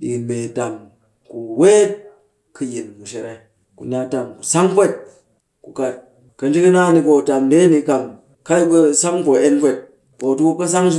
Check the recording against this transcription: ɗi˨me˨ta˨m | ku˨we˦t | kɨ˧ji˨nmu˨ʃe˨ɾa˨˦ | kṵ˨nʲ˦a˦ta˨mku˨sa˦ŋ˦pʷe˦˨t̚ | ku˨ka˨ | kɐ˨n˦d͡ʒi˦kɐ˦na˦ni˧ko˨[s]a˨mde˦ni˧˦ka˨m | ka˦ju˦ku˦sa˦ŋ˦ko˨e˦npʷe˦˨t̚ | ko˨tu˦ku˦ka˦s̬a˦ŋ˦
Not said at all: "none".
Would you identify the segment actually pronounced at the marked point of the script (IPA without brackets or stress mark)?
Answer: t